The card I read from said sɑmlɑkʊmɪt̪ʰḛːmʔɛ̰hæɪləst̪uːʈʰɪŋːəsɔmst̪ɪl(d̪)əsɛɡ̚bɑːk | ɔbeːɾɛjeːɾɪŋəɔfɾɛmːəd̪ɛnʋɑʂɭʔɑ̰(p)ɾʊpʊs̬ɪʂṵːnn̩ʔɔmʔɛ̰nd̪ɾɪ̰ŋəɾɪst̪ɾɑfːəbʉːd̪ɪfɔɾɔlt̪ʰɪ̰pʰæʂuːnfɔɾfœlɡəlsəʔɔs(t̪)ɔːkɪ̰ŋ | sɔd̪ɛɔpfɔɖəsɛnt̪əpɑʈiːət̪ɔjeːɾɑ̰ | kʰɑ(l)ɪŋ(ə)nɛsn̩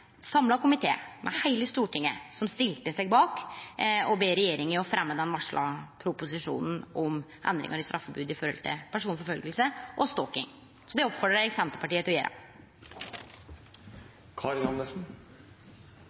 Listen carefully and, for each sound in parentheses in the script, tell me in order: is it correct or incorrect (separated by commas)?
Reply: incorrect, incorrect, correct, incorrect, incorrect